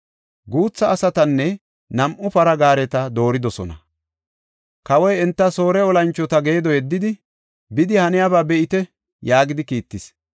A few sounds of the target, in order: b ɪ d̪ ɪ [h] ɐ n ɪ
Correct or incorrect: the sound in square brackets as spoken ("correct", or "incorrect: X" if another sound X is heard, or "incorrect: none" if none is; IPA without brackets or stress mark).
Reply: correct